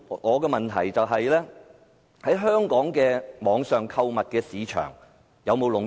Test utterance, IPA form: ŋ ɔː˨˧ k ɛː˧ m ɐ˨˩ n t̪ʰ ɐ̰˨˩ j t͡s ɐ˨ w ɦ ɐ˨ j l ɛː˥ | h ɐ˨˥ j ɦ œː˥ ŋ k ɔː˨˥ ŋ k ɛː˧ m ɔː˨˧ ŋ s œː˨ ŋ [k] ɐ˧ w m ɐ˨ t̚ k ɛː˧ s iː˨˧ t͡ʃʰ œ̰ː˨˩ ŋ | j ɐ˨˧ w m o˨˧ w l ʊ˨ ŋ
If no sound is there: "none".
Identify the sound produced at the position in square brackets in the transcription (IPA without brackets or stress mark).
kʰ